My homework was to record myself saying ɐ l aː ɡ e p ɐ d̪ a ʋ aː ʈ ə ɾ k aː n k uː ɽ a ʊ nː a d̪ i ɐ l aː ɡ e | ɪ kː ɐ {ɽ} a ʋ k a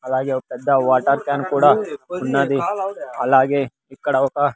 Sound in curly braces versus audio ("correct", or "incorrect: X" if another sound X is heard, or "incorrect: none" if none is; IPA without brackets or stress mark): correct